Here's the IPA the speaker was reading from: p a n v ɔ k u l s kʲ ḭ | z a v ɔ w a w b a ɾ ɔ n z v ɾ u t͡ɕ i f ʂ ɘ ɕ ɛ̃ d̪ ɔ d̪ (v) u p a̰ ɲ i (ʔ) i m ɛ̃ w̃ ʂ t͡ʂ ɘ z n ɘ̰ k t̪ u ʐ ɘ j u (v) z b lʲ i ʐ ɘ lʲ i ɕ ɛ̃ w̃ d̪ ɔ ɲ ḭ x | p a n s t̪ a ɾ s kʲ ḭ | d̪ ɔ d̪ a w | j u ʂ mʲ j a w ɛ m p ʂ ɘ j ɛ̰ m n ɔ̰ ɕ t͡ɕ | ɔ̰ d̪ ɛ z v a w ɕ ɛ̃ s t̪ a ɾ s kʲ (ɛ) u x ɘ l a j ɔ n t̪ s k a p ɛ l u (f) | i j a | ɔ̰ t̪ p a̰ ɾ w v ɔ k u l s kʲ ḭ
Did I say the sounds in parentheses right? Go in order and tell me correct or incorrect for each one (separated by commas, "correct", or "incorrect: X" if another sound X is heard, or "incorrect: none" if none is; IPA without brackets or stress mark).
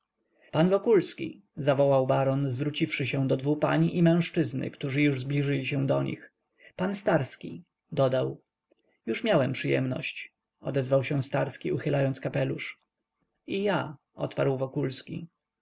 correct, correct, incorrect: ʐ, incorrect: i, incorrect: ʂ